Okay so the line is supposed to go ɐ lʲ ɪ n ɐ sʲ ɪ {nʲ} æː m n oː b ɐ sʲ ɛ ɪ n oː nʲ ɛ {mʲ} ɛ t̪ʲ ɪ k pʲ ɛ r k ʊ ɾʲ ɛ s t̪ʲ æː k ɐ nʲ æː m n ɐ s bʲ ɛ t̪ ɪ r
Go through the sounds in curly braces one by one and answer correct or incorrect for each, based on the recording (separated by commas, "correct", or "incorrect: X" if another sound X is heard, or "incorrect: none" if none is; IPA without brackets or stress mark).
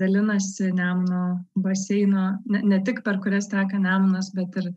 correct, incorrect: nʲ